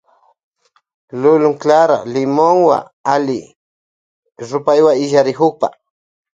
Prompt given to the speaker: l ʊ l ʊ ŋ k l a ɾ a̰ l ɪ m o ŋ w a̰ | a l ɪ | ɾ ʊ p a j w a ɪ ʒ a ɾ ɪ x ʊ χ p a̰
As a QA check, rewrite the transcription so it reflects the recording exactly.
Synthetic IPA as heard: l ʊ l ʊ ŋ k l a ɾ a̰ l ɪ m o ŋ w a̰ | a l ɪ | ɾ ʊ p a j w a ɪ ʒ a ɾ ɪ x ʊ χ p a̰